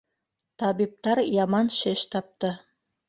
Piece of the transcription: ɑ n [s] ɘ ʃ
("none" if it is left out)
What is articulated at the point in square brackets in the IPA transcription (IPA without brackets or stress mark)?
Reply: ʃ